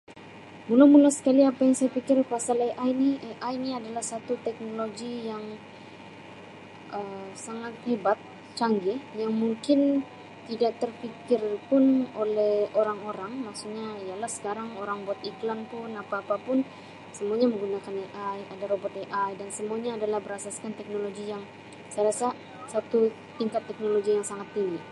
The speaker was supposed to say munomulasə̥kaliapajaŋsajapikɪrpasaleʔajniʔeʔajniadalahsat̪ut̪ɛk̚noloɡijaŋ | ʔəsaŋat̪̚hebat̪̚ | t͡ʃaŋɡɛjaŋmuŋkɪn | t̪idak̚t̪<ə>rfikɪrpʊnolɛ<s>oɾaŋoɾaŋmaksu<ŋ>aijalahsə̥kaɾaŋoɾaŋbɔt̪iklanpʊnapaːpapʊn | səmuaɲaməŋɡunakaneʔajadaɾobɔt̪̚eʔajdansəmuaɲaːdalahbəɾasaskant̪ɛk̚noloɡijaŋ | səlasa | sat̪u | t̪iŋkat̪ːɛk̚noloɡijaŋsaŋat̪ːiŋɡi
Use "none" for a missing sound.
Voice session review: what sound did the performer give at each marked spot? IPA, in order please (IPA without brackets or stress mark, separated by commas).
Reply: ə, h, ɲ